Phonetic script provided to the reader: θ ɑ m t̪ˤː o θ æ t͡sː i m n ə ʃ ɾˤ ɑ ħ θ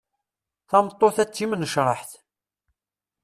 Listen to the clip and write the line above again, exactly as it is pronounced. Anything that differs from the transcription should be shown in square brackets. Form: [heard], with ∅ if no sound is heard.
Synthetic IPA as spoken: θ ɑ m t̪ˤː o θ æ t͡sː i m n ə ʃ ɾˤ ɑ ħ θ